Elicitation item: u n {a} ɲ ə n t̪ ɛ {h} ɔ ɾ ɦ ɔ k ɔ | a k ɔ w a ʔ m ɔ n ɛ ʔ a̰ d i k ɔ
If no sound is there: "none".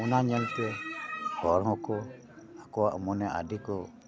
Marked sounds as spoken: a, h

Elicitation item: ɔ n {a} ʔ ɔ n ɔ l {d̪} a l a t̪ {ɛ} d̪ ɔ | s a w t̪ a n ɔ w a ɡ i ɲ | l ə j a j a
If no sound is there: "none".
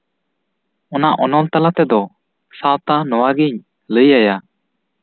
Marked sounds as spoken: a, t̪, ɛ

